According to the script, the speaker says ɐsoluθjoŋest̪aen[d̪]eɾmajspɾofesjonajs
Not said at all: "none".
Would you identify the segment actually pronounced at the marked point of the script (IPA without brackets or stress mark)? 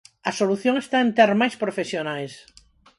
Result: t̪